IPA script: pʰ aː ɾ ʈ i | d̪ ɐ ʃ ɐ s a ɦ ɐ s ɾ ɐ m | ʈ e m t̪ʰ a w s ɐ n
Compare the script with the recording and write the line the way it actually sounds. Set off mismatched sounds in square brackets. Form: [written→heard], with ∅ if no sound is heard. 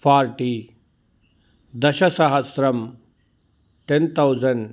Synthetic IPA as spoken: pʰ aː ɾ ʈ i | d̪ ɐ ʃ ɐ s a ɦ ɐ s ɾ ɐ m | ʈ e [m→n] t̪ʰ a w [s→z] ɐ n